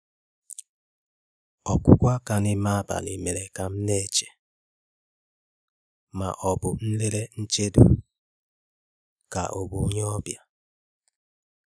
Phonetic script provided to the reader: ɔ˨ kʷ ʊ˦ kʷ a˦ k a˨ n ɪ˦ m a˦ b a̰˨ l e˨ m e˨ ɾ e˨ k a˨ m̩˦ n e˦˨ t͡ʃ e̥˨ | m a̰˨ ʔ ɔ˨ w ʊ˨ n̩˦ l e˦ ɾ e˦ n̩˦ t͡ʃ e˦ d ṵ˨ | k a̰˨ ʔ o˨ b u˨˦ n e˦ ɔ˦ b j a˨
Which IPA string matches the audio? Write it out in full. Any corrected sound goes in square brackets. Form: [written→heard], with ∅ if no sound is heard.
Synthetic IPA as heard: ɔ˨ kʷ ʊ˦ kʷ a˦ k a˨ n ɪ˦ m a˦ b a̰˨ l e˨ m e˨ ɾ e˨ k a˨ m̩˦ n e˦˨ t͡ʃ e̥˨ | m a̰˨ ʔ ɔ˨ [w→b] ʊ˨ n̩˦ l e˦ ɾ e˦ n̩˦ t͡ʃ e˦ d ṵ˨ | k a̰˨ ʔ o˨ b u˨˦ [n→ɲ] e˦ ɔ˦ b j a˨